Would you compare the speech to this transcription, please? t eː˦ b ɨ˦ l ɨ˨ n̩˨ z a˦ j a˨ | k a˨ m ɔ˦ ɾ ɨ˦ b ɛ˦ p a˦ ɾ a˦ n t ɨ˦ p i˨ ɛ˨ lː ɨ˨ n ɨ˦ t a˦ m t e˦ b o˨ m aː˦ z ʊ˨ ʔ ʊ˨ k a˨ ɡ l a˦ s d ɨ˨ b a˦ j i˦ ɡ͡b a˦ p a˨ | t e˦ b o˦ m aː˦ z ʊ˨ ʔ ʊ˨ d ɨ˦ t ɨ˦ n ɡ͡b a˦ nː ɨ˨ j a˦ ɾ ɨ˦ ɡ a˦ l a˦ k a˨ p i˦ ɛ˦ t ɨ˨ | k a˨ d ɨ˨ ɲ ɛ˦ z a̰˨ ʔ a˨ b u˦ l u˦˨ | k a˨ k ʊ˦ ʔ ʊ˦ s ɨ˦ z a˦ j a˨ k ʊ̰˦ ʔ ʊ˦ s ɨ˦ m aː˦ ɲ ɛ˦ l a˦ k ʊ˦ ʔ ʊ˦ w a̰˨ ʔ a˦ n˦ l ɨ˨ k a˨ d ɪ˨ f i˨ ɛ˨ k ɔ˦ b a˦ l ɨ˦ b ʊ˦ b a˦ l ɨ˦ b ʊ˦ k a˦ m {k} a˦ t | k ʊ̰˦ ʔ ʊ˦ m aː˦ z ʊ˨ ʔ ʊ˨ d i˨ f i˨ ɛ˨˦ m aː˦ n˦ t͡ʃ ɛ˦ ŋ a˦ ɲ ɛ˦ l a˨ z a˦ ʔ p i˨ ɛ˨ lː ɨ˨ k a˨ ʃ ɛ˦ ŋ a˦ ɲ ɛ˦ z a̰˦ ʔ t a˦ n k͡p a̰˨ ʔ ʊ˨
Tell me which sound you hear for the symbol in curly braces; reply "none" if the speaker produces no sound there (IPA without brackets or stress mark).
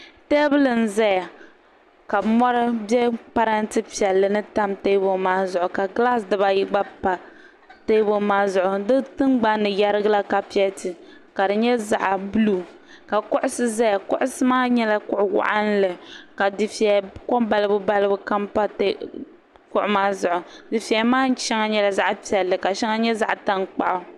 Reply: p